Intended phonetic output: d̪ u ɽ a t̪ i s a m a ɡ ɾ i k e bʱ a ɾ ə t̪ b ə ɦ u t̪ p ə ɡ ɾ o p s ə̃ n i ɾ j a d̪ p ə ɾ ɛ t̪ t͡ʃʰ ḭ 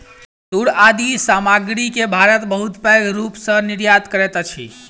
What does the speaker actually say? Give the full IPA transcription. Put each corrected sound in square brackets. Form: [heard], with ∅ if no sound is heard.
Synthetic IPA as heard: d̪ u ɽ a [d̪] i s a m a ɡ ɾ i k e bʱ a ɾ ə t̪ b ə ɦ u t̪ p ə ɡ ɾ [u] p s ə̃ n i ɾ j a d̪ [k] ə ɾ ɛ t̪ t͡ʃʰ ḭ